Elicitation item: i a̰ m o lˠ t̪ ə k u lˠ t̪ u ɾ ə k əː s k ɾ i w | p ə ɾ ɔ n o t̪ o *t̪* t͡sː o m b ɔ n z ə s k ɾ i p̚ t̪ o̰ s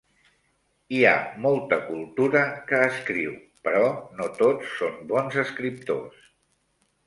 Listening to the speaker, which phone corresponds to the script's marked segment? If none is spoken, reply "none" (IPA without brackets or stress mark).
none